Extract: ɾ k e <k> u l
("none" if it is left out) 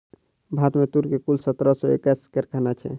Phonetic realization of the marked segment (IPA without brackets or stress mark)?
k